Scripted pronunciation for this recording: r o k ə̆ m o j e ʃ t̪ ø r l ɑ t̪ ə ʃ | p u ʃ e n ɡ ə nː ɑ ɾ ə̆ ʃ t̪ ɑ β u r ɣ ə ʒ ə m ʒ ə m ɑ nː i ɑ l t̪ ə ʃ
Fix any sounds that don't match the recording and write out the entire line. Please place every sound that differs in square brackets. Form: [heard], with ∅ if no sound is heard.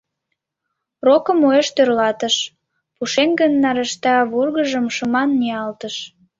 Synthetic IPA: r o k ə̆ m o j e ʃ t̪ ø r l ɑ t̪ ə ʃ | p u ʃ e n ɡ ə nː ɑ ɾ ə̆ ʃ t̪ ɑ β u r ɣ ə ʒ ə m [ʃ] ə m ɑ nː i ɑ l t̪ ə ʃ